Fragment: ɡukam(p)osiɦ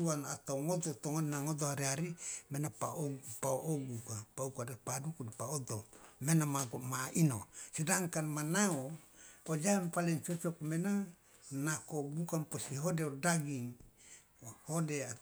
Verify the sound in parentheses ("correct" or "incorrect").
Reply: correct